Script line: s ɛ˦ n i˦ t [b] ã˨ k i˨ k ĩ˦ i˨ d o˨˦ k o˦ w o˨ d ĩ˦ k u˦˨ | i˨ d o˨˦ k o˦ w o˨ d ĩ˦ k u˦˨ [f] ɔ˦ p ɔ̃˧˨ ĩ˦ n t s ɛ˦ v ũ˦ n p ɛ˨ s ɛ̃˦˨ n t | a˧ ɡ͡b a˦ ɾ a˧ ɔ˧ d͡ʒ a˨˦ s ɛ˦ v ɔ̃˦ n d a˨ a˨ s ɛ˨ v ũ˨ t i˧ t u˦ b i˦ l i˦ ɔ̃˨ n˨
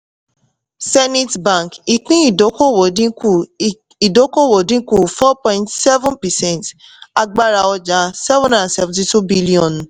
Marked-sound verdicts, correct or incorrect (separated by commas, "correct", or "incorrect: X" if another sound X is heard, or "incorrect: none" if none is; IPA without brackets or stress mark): correct, correct